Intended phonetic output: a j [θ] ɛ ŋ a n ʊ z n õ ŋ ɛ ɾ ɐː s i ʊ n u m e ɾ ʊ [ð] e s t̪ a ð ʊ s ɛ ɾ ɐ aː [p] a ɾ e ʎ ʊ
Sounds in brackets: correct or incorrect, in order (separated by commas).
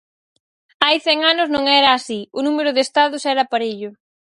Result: correct, correct, correct